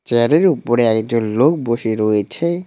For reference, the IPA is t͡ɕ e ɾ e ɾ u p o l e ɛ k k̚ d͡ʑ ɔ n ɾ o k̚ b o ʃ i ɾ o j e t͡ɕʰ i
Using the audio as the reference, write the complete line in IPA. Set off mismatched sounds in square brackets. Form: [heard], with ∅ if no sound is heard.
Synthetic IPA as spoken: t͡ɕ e ɾ e ɾ u p o [ɾ] e ɛ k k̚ d͡ʑ [o] n [l] o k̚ b o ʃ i ɾ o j e t͡ɕʰ [e]